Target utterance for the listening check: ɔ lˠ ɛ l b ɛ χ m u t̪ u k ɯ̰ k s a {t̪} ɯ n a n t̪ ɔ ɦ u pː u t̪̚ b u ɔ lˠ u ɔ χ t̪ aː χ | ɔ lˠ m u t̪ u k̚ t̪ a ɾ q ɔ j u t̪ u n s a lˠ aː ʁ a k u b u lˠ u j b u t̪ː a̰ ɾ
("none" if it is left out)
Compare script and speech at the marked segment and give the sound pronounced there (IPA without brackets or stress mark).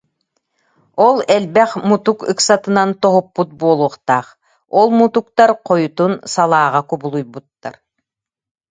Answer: t̪